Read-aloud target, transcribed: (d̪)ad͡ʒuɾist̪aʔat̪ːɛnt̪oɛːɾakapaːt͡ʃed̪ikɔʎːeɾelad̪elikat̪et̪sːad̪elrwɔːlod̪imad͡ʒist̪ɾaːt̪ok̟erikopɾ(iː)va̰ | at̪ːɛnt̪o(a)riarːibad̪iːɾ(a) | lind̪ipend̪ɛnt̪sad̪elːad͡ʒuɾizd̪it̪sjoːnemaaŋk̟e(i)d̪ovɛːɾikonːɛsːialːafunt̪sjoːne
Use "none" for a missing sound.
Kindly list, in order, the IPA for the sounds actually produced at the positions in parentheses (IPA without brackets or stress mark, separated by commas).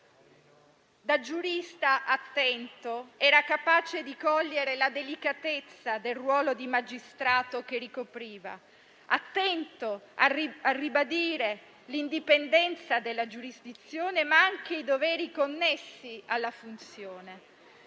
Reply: d̪, iː, a, e, i